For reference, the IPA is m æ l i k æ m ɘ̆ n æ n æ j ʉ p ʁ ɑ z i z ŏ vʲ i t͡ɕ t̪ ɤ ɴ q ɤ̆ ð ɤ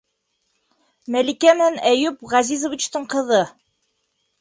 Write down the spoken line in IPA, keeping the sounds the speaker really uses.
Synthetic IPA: m æ l i k æ m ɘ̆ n æ n æ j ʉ p ʁ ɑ z i z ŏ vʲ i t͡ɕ t̪ ɤ ɴ q ɤ̆ ð ɤ

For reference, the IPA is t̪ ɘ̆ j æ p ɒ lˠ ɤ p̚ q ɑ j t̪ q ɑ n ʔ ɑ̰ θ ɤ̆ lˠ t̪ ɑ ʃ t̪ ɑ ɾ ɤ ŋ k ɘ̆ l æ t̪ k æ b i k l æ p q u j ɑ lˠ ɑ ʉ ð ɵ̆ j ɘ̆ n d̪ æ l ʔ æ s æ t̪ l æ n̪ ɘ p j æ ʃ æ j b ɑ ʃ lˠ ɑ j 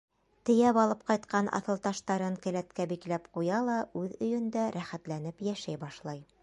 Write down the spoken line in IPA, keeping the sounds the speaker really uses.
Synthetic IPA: t̪ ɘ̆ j æ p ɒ lˠ ɤ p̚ q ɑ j t̪ q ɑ n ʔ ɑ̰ θ ɤ̆ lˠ t̪ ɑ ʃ t̪ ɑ ɾ ɤ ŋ k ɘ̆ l æ t̪ k æ b i k l æ p q u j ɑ lˠ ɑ ʉ ð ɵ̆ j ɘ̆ n d̪ æ ɾ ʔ æ χ æ t̪ l æ n̪ ɘ p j æ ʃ æ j b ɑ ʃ lˠ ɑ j

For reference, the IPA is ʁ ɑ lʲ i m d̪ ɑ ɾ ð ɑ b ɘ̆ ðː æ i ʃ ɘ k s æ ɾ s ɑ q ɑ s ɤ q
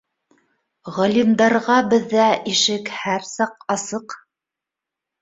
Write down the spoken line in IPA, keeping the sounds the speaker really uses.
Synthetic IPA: ʁ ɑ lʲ i m d̪ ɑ ɾ ʁ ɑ b ɘ̆ ðː æ i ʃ ɘ k h æ ɾ s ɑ q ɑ s ɤ q

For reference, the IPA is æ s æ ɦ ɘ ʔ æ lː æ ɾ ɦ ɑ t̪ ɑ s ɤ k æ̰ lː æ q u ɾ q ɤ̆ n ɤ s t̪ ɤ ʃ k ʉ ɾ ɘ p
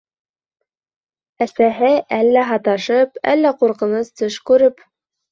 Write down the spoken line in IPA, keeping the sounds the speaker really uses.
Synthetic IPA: æ s æ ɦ ɘ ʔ æ lː æ ɦ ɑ t̪ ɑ ʃ ɤ p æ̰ lː æ q u ɾ q ɤ̆ n ɤ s t̪ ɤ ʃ k ʉ ɾ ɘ p

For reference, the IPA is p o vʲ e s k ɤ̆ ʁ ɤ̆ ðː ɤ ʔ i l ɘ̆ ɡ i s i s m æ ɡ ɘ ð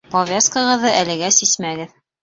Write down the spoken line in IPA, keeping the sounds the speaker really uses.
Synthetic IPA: p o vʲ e s k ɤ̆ ʁ ɤ̆ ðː ɤ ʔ æ l ɘ̆ ɡ æ s i s m æ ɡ ɘ ð

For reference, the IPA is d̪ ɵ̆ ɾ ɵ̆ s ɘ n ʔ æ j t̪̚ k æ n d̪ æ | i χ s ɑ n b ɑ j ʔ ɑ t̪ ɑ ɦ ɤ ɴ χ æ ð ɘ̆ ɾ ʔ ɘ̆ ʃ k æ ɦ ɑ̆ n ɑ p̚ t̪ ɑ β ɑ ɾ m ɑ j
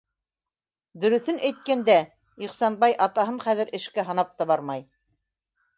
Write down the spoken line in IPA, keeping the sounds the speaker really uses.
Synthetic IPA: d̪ ɵ̆ ɾ ɵ̆ θ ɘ n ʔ æ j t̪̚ k æ n d̪ æ | i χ s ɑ n b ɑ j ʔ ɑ t̪ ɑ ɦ ɤ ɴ χ æ ð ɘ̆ ɾ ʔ ɘ̆ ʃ k æ ɦ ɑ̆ n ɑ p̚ t̪ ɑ β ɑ ɾ m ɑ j

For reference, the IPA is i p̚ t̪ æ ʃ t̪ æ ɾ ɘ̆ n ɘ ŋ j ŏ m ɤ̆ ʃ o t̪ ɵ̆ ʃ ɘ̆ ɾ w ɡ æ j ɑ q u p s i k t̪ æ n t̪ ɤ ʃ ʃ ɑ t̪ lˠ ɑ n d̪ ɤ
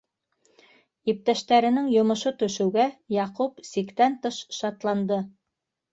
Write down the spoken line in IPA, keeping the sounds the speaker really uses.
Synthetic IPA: i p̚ t̪ æ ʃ t̪ æ ɾ ɘ̆ n ɘ ŋ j ŏ m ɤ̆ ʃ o t̪ ɵ̆ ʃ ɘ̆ w ɡ æ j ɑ q u p s i k t̪ æ n t̪ ɤ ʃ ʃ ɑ t̪ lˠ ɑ n d̪ ɤ

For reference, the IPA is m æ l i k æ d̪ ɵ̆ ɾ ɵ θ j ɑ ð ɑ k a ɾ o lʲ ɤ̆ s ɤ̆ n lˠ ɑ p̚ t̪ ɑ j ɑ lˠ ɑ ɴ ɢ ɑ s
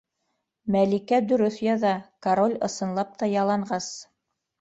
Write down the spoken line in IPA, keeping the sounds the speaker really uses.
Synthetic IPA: m æ l i k æ d̪ ɵ̆ ɾ ɵ θ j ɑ ð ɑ k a ɾ o lʲ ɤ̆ s ɤ̆ n lˠ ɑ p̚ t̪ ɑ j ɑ lˠ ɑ ɴ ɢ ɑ s

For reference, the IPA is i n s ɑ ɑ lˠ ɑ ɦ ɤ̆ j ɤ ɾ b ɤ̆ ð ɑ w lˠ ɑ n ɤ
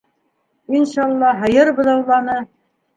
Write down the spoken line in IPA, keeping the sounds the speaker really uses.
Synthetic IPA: i n ʃ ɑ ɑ lˠː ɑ ɦ ɤ̆ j ɤ ɾ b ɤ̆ ð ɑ w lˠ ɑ n ɤ

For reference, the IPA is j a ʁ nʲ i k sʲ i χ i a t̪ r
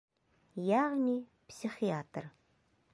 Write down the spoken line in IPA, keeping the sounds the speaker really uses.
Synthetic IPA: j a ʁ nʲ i p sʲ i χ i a t̪ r

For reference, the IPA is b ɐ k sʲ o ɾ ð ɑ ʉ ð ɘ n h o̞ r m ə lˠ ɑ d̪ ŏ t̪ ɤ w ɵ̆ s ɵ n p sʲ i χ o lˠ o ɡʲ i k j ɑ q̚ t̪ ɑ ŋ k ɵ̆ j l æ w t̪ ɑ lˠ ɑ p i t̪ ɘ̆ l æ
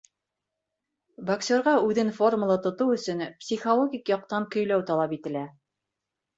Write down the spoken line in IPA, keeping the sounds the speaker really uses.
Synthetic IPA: b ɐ k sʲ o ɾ ʁ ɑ ʉ ð ɘ n f o̞ r m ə lˠ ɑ t̪ ŏ t̪ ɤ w ɵ̆ s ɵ n p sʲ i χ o lˠ o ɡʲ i k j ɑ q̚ t̪ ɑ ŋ k ɵ̆ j l æ w t̪ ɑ lˠ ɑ p i t̪ ɘ̆ l æ

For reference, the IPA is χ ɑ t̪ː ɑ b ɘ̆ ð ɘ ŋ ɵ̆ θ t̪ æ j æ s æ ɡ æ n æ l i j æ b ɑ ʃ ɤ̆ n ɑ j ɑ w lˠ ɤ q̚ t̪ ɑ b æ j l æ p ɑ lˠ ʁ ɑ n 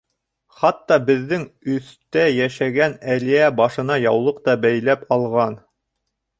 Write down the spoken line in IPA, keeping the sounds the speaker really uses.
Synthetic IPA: χ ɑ t̪ː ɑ b ɘ̆ ðː ɘ ŋ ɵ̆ θ t̪ æ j æ ʃ æ ɡ æ n æ l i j æ b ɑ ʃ ɤ̆ n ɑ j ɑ w lˠ ɤ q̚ t̪ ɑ b æ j l æ p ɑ lˠ ʁ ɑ n

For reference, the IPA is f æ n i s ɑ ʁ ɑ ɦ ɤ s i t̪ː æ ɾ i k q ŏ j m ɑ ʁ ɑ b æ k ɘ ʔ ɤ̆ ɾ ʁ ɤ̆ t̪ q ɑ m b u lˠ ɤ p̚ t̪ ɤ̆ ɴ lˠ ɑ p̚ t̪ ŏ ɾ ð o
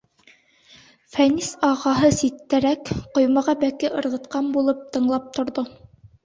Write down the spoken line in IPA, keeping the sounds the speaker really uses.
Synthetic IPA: f æ n i s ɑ ʁ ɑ ɦ ɤ s i t̪ː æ ɾ æ k q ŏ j m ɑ ʁ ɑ b æ k ɘ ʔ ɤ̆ ɾ ʁ ɤ̆ t̪ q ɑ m b u lˠ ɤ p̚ t̪ ɤ̆ ɴ lˠ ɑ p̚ t̪ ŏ ɾ ð o

